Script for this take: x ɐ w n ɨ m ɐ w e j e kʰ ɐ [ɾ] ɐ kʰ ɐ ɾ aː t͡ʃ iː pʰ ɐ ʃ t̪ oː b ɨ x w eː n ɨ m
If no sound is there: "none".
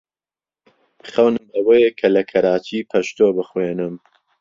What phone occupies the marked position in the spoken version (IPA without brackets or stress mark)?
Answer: l